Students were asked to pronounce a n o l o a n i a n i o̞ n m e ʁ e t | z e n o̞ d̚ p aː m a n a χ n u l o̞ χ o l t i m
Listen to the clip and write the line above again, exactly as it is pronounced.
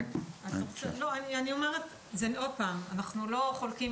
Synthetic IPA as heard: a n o l o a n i a n i o̞ m e ʁ e t | z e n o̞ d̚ p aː m a n a χ n u l o̞ χ o l k i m